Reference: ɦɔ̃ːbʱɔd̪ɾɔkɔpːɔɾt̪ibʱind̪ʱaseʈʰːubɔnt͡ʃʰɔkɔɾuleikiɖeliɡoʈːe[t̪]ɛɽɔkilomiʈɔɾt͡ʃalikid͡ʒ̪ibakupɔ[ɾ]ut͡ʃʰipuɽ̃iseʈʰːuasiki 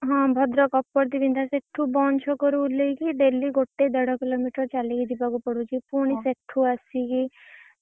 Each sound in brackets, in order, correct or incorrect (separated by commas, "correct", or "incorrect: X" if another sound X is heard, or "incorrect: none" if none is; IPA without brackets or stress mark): incorrect: d̪, incorrect: ɽ